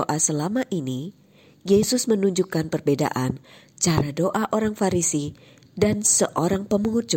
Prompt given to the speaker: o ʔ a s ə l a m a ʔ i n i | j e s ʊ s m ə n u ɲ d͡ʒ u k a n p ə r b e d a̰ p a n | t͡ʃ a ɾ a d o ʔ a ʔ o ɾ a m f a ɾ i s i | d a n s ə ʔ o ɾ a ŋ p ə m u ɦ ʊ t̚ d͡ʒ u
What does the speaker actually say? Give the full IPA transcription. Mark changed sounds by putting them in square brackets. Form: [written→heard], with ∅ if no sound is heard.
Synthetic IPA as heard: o ʔ a s ə l a m a ʔ i n i | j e s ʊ s m ə n u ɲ d͡ʒ u k a n p ə r b e d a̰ [p→ʔ] a n | t͡ʃ a ɾ a d o ʔ a ʔ o ɾ a [m→ŋ] f a ɾ i s i | d a n s ə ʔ o ɾ a ŋ p ə m u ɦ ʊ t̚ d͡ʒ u